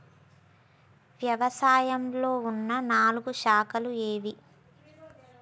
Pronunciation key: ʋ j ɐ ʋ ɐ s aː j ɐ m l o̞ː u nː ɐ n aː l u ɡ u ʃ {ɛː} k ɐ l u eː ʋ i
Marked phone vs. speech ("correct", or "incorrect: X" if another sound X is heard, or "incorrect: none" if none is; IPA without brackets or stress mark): incorrect: aː